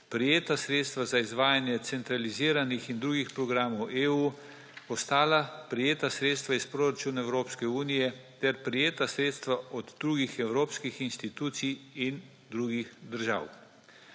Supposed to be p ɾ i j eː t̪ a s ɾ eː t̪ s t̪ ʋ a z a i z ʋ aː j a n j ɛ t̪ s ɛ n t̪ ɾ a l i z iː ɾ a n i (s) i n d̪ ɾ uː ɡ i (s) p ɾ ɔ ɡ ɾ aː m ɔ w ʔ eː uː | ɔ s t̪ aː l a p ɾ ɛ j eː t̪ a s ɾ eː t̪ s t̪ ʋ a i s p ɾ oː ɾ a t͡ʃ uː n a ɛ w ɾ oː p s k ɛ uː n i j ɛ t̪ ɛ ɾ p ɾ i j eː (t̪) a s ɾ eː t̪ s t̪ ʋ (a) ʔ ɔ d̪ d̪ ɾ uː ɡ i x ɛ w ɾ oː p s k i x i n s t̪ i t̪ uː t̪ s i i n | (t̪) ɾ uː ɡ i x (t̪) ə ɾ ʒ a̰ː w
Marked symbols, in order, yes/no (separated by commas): no, no, yes, yes, no, no